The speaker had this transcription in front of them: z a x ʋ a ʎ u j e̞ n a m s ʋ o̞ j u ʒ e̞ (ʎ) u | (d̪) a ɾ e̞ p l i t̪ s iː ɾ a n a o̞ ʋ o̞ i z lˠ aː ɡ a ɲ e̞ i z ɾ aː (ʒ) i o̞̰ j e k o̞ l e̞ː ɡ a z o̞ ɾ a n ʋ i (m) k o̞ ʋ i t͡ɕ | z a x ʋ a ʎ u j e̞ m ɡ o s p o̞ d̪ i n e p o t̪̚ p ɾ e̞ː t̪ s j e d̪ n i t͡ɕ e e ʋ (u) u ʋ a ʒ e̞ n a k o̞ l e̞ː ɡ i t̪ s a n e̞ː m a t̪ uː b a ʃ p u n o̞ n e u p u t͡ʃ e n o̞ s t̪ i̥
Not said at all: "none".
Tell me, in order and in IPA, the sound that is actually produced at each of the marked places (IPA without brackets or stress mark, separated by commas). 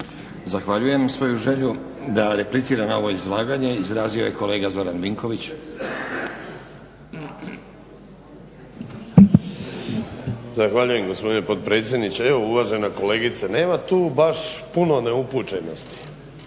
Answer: ʎ, d̪, z, ŋ, o